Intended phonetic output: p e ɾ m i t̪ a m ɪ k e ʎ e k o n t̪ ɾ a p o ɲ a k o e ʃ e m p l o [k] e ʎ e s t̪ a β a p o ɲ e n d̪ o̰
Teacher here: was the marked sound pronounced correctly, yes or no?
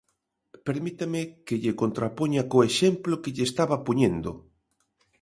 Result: yes